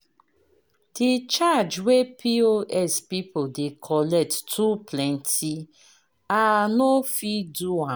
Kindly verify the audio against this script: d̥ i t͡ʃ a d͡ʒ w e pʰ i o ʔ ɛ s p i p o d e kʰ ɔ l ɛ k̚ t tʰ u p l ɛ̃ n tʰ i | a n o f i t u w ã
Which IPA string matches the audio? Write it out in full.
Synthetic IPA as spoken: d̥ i t͡ʃ a d͡ʒ w e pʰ i o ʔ ɛ s p i p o d e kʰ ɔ l ɛ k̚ t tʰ u p l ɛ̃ n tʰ i | a n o f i d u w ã